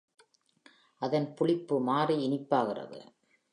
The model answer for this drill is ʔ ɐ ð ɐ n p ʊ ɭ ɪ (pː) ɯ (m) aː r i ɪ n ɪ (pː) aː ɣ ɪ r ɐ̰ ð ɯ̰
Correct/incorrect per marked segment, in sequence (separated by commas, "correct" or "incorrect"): correct, correct, correct